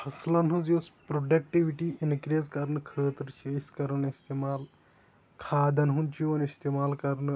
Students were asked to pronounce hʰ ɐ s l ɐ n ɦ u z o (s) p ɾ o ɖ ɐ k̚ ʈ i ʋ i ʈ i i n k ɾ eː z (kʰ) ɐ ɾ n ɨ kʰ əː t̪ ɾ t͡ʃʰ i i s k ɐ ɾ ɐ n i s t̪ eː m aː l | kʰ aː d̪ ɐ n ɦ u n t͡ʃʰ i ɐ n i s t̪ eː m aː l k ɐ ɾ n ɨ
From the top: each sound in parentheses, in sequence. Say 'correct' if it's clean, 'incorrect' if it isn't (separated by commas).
correct, incorrect